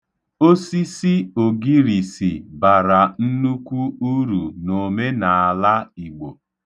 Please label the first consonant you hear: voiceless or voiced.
voiceless